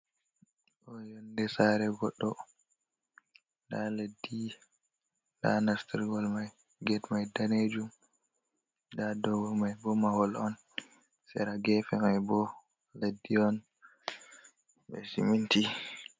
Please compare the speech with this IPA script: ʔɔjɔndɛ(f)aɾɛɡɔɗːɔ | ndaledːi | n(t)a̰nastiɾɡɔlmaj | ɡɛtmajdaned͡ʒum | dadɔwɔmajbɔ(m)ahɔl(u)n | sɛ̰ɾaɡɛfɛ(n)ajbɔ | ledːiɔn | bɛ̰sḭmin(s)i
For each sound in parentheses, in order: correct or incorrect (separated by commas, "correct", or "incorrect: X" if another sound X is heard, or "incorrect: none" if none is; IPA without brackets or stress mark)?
incorrect: s, incorrect: d, correct, incorrect: ɔ, incorrect: m, incorrect: t